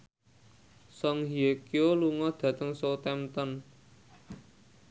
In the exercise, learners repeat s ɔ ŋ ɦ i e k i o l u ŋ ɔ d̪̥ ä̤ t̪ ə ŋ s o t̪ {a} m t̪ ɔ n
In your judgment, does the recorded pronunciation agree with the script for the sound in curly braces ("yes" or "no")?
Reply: no